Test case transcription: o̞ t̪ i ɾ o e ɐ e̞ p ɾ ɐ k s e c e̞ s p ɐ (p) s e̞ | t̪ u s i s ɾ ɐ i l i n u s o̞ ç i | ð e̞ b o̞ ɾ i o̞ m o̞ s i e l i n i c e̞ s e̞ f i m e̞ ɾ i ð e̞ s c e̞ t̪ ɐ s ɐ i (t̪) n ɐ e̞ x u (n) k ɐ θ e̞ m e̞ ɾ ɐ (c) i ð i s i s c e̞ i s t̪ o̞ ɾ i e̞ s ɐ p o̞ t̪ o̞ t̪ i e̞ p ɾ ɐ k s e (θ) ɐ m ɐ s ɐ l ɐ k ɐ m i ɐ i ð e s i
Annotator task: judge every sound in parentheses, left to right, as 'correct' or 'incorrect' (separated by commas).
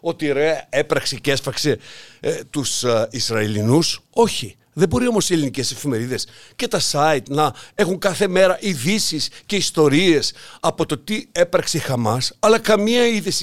incorrect, correct, incorrect, incorrect, incorrect